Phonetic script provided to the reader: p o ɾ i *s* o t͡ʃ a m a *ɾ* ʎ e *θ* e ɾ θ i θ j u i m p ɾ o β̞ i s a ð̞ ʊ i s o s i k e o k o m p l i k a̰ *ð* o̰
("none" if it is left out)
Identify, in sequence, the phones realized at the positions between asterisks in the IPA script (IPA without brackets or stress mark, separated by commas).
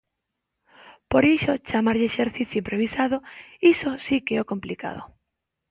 ʃ, ɾ, ʃ, ð